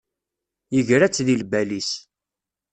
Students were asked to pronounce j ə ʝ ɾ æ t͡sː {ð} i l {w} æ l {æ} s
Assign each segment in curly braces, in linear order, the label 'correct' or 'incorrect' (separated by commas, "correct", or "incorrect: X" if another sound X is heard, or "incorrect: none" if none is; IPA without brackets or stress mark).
correct, incorrect: b, incorrect: i